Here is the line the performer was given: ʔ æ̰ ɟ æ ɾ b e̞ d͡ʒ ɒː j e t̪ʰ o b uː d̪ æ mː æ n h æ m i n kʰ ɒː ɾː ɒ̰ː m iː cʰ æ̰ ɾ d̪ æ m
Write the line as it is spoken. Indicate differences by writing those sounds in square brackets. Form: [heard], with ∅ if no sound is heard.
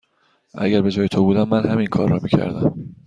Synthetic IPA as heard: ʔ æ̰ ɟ æ ɾ b e̞ d͡ʒ ɒː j e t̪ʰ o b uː d̪ æ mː æ n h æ m i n kʰ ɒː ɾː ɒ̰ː m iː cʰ æ̰ ɾ d̪ æ m